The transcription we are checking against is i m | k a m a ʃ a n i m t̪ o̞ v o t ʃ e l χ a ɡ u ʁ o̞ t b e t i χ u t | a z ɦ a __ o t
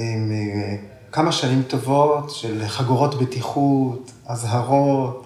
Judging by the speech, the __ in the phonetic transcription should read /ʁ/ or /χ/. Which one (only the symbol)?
ʁ